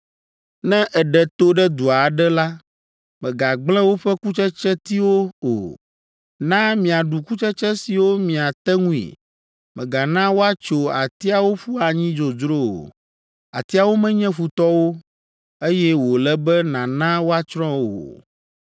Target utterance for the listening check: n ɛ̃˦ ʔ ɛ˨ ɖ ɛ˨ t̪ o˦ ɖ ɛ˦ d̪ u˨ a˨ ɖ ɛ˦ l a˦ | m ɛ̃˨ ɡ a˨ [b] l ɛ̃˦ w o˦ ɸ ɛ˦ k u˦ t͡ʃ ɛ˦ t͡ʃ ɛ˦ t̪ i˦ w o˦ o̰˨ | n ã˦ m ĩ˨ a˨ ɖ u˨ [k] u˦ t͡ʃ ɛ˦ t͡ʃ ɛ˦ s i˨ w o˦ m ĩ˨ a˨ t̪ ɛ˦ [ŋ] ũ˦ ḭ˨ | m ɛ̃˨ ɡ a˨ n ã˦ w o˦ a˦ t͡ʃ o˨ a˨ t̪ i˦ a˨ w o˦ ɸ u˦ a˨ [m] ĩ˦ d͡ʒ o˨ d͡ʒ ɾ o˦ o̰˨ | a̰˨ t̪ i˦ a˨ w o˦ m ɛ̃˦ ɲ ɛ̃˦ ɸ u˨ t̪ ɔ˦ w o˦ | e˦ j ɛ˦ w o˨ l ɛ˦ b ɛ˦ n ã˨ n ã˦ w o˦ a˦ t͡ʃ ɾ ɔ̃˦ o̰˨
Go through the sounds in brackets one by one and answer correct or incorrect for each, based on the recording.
incorrect, correct, correct, incorrect

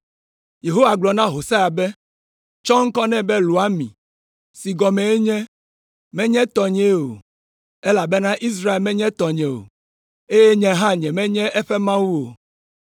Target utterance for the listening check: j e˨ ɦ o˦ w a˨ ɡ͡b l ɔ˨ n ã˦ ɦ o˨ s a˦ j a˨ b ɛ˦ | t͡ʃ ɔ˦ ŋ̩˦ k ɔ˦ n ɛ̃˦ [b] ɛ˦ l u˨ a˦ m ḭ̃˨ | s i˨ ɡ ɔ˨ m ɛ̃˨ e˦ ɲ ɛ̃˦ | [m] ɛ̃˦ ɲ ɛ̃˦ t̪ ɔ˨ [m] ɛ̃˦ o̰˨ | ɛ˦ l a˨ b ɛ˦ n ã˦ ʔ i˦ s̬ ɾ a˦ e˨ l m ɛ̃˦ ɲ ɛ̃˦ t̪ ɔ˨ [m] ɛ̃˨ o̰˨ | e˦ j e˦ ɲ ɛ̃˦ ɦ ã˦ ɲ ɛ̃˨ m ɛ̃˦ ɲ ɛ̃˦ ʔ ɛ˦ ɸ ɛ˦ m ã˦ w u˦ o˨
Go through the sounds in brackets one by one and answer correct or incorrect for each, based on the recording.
correct, correct, incorrect, incorrect

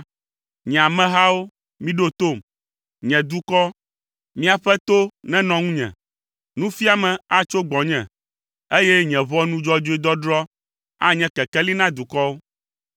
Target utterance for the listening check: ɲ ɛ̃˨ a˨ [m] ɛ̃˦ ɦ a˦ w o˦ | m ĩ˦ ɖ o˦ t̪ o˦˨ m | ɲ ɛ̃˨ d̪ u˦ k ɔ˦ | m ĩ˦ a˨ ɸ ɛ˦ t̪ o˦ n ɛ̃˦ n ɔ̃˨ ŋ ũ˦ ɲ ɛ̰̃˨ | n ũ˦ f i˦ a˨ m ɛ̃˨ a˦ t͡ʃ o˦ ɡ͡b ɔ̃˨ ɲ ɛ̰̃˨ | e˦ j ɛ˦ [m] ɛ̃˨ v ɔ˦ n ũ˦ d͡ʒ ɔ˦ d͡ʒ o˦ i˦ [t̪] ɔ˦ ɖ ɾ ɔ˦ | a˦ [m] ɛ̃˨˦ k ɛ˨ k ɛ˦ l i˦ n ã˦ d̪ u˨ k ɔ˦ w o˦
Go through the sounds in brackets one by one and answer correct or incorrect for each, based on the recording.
correct, incorrect, incorrect, incorrect

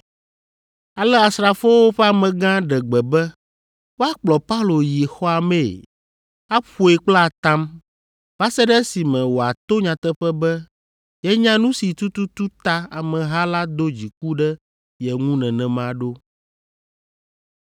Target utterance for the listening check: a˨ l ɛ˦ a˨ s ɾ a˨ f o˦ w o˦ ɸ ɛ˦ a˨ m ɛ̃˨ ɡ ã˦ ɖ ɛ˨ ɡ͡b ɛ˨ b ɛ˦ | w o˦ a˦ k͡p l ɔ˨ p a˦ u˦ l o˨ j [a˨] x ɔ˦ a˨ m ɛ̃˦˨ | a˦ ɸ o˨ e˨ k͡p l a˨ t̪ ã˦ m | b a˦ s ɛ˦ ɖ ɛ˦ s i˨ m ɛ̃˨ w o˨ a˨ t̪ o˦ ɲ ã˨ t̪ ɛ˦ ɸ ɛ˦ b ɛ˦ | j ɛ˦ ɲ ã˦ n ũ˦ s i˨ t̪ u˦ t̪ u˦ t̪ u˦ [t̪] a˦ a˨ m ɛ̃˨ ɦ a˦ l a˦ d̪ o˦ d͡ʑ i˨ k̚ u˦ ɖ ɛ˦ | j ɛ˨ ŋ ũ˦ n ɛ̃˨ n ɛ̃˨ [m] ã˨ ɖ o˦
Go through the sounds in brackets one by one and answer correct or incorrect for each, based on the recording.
incorrect, correct, correct

